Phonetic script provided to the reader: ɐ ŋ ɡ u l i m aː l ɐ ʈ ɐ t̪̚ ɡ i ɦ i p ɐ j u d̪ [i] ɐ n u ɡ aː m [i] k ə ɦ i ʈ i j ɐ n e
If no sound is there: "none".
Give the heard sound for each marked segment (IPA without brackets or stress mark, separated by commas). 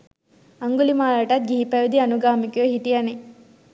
i, i